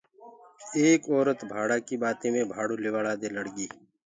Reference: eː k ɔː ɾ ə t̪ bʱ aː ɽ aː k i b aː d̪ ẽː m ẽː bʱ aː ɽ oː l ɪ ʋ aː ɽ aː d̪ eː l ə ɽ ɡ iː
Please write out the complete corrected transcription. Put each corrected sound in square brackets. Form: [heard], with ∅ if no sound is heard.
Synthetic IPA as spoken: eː k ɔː ɾ ə t̪ bʱ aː ɽ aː k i b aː [t̪] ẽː m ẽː bʱ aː ɽ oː l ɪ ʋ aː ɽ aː d̪ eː l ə ɽ ɡ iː